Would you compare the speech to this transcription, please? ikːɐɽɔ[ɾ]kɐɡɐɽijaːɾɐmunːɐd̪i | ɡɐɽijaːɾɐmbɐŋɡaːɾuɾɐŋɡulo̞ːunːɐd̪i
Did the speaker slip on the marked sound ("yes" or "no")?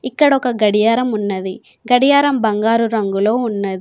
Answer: yes